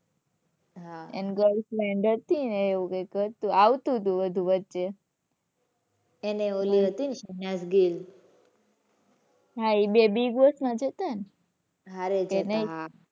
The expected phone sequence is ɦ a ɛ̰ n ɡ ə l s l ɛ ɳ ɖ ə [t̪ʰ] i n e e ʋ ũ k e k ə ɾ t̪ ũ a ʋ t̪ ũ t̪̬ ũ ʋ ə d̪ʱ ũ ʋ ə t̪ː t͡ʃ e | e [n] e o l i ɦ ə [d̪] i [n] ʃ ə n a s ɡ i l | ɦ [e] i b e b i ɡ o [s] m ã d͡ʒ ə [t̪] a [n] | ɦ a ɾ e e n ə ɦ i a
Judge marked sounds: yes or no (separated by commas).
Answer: no, yes, no, yes, no, yes, yes, yes